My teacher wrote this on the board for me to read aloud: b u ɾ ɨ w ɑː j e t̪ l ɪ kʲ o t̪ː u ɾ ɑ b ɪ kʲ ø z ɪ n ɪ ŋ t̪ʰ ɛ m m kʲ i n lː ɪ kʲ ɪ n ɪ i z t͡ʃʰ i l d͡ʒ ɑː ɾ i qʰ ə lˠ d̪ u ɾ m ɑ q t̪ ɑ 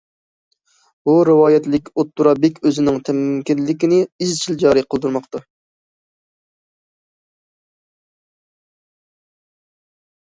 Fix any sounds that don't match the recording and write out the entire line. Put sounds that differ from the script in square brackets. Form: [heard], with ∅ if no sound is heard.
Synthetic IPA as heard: b u ɾ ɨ w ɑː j [ɛ] t̪ l ɪ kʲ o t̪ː u ɾ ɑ b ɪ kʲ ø z ɪ n ɪ ŋ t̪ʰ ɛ m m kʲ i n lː ɪ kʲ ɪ n ɪ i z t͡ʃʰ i l d͡ʒ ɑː ɾ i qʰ ə lˠ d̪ u ɾ m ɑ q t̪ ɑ